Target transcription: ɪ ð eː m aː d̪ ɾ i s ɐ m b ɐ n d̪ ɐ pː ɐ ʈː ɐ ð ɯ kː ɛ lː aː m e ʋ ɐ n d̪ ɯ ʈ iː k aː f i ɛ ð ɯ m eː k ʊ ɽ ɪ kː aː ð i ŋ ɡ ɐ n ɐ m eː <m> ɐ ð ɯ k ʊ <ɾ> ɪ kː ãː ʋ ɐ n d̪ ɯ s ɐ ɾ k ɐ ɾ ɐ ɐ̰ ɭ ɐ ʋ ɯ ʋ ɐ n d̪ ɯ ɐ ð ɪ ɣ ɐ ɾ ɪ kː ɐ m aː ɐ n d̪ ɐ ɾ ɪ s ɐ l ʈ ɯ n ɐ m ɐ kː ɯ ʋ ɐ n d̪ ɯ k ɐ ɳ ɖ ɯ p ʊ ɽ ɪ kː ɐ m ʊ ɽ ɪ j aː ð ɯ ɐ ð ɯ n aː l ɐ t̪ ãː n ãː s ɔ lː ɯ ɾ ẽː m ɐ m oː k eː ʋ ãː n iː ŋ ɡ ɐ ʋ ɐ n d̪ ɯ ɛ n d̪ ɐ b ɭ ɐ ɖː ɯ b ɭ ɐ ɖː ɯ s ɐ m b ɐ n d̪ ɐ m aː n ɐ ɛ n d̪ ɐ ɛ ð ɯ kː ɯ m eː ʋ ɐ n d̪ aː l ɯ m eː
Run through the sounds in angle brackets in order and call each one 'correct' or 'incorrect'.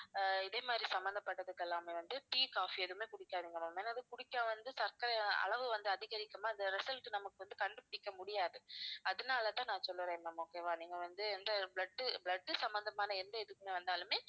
incorrect, incorrect

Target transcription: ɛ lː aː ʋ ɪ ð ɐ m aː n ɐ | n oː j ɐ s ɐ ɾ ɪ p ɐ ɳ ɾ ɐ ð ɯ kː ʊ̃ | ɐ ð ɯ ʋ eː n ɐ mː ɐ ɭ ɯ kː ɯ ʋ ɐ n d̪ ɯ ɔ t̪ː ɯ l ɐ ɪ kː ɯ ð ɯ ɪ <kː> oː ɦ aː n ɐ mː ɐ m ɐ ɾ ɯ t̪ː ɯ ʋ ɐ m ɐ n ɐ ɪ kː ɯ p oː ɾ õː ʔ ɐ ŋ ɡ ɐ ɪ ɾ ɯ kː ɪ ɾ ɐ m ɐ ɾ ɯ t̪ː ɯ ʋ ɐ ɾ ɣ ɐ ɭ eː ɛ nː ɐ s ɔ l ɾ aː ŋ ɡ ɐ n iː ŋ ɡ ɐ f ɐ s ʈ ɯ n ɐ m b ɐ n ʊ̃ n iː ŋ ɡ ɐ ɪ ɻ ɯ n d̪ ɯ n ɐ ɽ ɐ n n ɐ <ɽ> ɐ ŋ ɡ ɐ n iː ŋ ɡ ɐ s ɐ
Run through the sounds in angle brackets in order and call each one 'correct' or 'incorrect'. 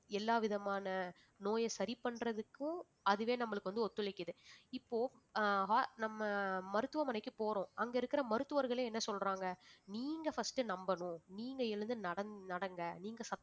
incorrect, correct

